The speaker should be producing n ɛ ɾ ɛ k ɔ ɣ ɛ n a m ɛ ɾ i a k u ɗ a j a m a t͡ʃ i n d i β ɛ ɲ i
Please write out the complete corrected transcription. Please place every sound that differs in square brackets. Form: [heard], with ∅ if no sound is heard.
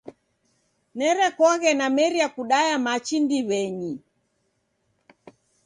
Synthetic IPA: n ɛ ɾ ɛ k ɔ ɣ ɛ n a m ɛ ɾ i a k u ɗ a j a m a t͡ʃ i n d i β ɛ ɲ i